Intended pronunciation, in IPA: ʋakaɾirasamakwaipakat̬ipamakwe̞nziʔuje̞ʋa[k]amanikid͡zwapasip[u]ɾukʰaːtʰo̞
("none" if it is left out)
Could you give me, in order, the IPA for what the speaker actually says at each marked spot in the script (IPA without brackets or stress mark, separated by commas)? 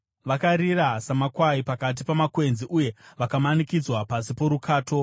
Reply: k, o